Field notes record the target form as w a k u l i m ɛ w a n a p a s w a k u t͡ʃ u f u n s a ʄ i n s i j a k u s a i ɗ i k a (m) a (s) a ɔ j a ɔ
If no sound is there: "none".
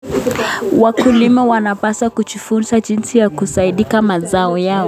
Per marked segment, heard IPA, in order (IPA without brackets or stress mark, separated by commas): m, z